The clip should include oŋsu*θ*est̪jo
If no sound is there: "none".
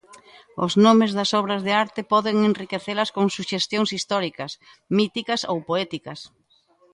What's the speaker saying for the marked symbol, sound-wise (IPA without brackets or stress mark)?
ʃ